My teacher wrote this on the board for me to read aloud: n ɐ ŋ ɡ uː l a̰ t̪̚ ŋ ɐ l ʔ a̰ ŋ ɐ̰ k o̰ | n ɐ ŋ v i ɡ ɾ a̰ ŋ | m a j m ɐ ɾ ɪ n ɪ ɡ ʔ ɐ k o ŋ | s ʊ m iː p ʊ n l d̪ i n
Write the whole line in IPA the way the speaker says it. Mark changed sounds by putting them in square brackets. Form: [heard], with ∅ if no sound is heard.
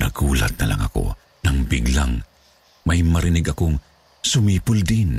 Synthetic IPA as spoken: n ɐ [∅] ɡ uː l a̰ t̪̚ [n] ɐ l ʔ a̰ ŋ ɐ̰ k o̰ | n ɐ ŋ [b] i ɡ [l] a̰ ŋ | m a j m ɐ ɾ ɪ n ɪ ɡ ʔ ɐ k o ŋ | s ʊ m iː p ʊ [∅] l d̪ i n